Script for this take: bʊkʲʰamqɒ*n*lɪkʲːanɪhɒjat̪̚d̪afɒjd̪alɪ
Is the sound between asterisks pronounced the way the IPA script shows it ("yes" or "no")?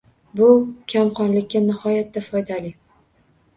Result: yes